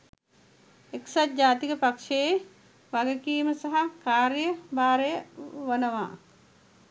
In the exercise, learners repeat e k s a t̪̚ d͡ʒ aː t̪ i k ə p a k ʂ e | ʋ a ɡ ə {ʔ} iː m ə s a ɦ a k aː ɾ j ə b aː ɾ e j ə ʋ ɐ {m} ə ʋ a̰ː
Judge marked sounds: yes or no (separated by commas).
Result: no, no